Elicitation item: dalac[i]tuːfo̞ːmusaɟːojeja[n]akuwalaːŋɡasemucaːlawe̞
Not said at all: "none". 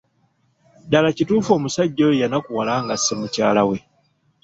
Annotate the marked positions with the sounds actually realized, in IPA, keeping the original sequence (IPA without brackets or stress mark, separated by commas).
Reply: i, n